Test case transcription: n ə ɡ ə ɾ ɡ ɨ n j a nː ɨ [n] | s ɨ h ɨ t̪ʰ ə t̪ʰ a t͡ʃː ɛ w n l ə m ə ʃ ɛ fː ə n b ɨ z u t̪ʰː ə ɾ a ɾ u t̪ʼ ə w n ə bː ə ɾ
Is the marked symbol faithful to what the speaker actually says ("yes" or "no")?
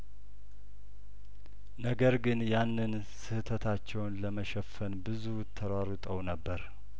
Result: yes